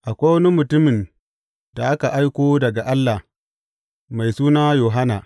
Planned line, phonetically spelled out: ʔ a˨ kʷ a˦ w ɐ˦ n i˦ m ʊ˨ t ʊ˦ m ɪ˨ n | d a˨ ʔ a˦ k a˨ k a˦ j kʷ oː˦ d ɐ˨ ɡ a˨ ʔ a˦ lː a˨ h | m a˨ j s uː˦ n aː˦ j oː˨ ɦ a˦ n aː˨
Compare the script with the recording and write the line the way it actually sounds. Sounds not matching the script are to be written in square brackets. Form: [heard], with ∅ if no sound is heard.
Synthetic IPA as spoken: ʔ a˨ kʷ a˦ w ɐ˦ n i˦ m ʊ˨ t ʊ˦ m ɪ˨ n | d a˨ ʔ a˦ k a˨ [ʔ] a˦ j kʷ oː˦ d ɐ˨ ɡ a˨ ʔ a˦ lː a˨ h | m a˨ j s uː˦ n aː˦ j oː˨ ɦ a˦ n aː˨

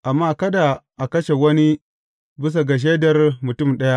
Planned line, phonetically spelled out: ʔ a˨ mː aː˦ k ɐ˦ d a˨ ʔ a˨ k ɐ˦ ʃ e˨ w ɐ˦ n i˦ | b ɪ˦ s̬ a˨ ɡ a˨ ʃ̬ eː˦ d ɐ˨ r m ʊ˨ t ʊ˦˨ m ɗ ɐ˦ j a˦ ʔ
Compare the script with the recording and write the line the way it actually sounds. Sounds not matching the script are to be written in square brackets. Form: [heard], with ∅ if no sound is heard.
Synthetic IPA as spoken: ʔ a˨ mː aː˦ k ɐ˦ d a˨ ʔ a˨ k ɐ˦ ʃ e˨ w ɐ˦ n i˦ | b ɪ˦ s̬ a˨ ɡ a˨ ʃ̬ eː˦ d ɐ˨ r m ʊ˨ t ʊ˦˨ m ɗ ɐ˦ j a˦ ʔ

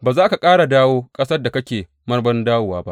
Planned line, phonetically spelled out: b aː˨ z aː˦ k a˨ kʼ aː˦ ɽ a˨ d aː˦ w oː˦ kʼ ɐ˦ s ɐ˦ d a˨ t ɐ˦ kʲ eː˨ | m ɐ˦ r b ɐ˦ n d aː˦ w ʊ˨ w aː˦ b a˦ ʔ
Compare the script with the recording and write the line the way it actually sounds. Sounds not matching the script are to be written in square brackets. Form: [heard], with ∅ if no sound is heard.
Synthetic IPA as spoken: b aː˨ z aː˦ k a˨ kʼ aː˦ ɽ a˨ d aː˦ w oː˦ kʼ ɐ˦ s ɐ˦ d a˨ [k] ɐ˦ kʲ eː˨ | m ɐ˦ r b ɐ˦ n d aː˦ w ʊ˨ w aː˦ b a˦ ʔ

